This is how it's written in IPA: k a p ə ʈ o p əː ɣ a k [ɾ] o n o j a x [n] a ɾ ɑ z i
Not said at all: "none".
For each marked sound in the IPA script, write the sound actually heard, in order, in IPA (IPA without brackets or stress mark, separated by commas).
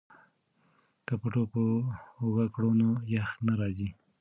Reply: ɽ, n